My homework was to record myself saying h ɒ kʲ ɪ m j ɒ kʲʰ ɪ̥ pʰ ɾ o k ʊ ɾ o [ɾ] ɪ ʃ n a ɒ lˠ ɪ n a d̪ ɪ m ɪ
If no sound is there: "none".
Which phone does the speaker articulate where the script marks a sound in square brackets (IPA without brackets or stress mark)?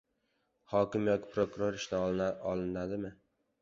ɾ